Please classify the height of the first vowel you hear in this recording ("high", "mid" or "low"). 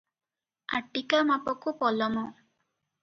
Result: low